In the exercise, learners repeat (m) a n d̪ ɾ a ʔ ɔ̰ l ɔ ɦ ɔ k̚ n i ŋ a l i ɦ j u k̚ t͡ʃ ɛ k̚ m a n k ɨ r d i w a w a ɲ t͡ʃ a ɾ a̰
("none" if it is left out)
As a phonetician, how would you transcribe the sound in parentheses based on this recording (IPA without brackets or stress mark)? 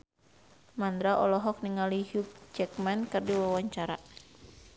m